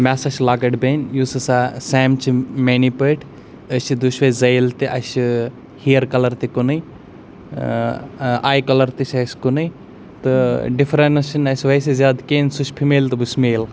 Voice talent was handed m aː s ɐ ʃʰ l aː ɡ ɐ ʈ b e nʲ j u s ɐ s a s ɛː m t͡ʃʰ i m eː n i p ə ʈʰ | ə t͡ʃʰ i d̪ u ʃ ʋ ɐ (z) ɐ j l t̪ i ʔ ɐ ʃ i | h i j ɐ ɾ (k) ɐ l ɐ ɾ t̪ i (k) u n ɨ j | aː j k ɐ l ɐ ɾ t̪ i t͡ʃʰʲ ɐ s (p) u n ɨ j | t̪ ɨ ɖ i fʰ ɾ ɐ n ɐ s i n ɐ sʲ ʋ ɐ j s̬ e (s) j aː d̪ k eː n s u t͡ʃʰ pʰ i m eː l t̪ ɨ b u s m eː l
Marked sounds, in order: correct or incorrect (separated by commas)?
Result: correct, correct, correct, incorrect, incorrect